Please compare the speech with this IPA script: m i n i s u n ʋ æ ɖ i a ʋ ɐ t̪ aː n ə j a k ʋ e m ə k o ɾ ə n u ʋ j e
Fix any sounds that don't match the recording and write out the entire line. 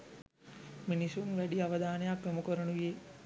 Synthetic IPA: m i n i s u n ʋ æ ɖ i a ʋ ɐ d̪ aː n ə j a k ʋ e m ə k o ɾ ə n u ʋ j e